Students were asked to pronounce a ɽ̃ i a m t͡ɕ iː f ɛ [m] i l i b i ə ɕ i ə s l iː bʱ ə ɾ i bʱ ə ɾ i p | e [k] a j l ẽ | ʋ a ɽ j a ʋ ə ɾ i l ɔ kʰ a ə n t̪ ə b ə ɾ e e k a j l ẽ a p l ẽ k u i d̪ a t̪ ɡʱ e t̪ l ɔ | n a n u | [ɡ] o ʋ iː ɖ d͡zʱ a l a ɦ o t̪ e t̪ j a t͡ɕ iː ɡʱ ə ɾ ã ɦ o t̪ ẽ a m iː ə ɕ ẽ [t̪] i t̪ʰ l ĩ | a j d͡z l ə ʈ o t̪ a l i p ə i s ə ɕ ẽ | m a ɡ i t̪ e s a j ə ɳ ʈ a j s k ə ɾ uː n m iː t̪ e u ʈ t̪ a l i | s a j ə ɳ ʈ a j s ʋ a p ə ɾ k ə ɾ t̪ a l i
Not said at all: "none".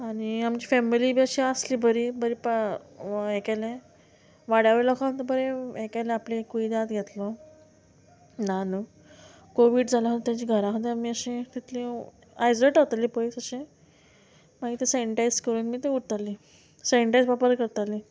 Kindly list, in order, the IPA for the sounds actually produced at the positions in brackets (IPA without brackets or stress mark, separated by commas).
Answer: m, k, k, t̪